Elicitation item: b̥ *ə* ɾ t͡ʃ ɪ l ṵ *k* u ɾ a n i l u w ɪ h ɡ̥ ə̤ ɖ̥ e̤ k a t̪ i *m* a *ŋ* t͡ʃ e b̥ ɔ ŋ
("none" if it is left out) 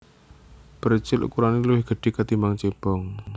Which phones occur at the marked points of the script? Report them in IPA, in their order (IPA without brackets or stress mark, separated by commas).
ə, k, m, ŋ